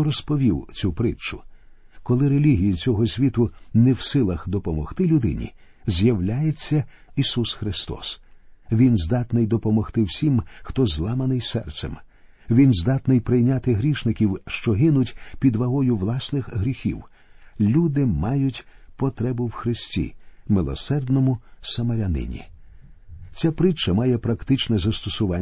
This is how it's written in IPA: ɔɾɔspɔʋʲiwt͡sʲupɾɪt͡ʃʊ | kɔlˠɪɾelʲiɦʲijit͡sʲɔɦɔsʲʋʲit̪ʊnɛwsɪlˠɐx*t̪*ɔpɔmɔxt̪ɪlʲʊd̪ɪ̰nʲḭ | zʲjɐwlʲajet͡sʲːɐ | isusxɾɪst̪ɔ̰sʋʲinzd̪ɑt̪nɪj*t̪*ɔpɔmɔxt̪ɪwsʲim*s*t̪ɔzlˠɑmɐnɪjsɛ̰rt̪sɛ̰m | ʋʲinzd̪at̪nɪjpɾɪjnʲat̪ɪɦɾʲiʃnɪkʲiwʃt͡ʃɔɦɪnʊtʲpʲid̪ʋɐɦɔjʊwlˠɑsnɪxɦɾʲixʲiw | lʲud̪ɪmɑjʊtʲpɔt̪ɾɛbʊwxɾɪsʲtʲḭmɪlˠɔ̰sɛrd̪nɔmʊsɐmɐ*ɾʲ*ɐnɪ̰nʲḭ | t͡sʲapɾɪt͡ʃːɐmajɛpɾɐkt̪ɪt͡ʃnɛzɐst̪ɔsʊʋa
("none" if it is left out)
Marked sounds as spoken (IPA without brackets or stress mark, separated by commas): d̪, d̪, x, ɾʲ